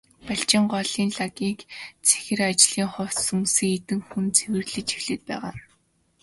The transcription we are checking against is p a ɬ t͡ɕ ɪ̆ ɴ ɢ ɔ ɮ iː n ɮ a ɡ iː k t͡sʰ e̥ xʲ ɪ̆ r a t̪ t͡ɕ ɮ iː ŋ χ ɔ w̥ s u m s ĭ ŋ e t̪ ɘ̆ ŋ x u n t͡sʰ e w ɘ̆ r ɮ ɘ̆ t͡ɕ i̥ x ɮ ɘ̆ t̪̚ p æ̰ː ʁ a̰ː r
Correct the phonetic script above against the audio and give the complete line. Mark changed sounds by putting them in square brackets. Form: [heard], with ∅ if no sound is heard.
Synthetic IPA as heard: p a ɬ t͡ɕ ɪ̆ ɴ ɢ ɔ ɮ iː n ɮ a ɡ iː k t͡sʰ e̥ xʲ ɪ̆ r a [∅] t͡ɕ ɮ iː ŋ χ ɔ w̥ s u m s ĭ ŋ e t̪ ɘ̆ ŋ x u n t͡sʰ e w ɘ̆ r ɮ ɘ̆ t͡ɕ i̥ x ɮ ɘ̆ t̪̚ p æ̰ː ʁ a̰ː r